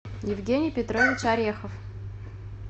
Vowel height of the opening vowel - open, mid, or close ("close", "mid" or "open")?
close